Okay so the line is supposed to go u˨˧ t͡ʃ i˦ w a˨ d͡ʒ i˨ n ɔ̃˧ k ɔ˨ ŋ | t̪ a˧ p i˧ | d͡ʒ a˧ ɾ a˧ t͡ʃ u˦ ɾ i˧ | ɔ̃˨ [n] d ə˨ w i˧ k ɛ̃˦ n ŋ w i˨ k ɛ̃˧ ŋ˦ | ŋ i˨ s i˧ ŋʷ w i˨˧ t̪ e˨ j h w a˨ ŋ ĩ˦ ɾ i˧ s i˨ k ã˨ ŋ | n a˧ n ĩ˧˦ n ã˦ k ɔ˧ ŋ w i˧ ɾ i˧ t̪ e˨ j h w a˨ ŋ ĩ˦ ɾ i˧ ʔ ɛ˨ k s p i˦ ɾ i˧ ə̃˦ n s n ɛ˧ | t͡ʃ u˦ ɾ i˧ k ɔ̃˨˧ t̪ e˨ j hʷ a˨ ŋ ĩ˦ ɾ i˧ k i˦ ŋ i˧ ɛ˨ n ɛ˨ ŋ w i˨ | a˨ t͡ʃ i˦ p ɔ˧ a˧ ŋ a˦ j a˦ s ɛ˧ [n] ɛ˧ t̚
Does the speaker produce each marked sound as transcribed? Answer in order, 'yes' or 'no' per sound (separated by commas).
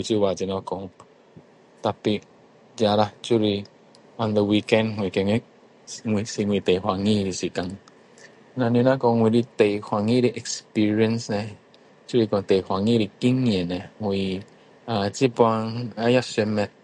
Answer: yes, no